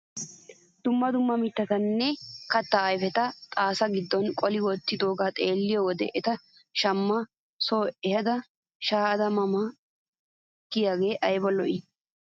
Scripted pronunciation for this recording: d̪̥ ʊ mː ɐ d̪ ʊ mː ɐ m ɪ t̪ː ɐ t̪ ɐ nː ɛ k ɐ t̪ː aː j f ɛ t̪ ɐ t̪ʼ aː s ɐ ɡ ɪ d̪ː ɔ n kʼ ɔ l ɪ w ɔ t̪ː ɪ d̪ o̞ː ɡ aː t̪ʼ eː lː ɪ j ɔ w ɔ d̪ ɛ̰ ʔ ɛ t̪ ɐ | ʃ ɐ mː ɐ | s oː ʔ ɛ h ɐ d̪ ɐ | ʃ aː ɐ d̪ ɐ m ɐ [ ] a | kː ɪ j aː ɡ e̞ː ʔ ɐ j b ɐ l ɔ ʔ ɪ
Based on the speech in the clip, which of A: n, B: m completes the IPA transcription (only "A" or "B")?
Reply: B